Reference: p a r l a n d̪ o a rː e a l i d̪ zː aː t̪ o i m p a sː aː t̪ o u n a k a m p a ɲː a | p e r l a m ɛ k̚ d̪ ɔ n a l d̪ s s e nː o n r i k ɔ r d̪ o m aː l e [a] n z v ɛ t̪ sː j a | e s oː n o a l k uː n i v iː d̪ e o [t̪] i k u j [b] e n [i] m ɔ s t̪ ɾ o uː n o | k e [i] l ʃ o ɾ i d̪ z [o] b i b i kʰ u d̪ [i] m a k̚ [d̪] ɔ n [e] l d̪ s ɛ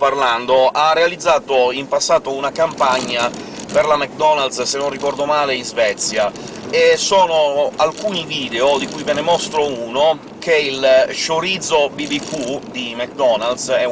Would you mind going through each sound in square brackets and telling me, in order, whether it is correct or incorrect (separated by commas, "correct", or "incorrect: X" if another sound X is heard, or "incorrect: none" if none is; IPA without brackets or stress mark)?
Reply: incorrect: i, incorrect: d̪, incorrect: v, incorrect: e, correct, correct, correct, correct, incorrect: a